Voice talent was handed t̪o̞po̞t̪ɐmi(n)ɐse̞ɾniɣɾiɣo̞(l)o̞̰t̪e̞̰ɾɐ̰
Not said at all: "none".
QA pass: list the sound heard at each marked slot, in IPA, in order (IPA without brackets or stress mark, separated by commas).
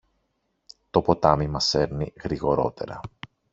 m, ɾ